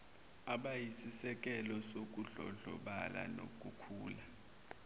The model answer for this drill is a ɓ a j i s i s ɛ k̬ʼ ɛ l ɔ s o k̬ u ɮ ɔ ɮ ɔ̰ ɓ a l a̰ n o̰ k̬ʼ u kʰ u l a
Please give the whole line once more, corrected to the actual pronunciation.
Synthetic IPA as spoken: a ɓ a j i s i s ɛ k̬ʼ ɛ l ɔ s o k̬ u ɮ ɔ ɮ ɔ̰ ɓ a l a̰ n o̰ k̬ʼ u kʰ uː l a